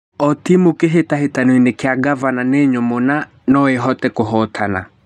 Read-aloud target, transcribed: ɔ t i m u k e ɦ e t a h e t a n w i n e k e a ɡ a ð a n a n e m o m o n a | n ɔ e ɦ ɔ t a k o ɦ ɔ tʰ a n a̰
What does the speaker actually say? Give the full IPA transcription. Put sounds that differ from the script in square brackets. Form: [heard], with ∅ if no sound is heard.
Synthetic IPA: ɔ t i m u k e ɦ e t a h e t a n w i n e k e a ɡ a [v] a n a n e [ɲ] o m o n a | n ɔ e ɦ ɔ t [ɛ] k o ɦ ɔ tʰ a n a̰